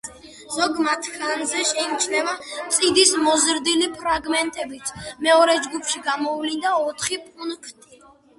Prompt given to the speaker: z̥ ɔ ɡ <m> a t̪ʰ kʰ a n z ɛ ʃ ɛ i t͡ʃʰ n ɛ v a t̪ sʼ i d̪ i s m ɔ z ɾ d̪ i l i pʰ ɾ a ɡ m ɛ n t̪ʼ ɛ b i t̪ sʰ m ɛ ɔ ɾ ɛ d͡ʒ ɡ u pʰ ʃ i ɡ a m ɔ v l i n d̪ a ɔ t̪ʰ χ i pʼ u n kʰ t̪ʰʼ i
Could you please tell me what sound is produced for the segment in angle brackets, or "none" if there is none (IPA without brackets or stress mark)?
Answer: m